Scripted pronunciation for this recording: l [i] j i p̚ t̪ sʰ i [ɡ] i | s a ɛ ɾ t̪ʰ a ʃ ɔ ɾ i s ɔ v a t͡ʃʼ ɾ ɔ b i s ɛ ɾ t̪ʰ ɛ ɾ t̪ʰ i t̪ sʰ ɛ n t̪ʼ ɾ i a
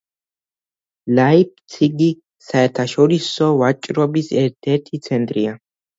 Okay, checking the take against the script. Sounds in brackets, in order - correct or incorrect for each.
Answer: incorrect: a, correct

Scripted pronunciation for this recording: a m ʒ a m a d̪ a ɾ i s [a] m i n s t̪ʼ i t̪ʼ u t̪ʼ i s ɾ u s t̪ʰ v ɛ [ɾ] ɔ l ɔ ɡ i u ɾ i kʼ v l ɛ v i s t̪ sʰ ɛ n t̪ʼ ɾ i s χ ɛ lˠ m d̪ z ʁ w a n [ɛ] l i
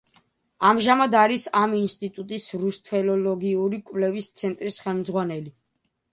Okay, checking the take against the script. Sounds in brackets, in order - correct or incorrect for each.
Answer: correct, incorrect: l, correct

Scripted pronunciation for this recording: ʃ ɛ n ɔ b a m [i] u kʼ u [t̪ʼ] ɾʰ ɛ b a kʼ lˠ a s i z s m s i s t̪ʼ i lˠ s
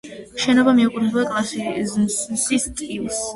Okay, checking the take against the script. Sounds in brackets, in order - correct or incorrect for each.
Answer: correct, incorrect: none

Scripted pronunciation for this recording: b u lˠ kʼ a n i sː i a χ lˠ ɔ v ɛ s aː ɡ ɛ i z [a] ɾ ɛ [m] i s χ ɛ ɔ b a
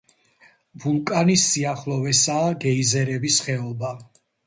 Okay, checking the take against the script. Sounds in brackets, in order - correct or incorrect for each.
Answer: incorrect: ɛ, incorrect: b

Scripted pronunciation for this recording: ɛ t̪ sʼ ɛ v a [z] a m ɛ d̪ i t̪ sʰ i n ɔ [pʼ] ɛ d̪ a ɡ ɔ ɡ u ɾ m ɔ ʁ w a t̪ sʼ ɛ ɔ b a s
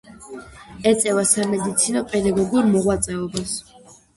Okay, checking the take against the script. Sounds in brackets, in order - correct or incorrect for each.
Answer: incorrect: s, correct

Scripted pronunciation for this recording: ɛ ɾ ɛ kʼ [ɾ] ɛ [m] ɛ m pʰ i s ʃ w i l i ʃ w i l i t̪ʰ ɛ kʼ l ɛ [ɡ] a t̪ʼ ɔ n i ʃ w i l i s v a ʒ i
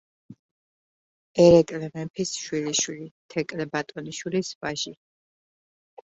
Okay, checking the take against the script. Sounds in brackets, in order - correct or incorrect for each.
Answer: incorrect: l, correct, incorrect: b

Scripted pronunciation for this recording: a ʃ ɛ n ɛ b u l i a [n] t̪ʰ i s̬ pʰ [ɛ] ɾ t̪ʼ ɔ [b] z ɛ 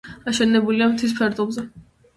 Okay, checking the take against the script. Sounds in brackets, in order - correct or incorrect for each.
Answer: incorrect: m, correct, correct

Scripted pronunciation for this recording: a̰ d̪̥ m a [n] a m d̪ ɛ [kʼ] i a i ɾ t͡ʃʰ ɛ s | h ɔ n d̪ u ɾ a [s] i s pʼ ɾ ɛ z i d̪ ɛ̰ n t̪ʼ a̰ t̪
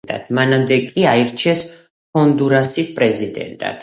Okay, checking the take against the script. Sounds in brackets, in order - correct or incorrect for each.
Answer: correct, correct, correct

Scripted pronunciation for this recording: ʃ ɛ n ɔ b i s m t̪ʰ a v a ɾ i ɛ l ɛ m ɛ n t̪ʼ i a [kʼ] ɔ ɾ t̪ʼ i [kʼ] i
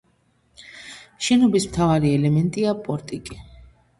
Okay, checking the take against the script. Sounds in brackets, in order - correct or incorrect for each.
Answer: incorrect: pʼ, correct

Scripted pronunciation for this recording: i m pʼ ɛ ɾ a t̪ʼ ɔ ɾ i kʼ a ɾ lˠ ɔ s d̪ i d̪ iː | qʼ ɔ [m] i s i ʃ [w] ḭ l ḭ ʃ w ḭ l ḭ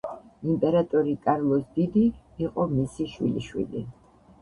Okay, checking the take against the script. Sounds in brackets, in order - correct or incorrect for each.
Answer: correct, correct

